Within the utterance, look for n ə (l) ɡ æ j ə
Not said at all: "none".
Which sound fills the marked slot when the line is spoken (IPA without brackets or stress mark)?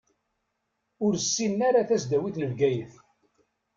l